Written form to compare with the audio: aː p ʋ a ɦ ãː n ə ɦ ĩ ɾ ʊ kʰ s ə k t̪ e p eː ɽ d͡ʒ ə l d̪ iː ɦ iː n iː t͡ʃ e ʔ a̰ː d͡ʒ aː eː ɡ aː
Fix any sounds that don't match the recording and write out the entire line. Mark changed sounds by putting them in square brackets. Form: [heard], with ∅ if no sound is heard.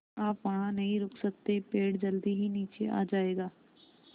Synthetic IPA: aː p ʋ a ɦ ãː n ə ɦ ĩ ɾ ʊ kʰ s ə k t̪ e p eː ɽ d͡ʒ ə l d̪ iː ɦ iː n iː t͡ʃ e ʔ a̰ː d͡ʒ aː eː ɡ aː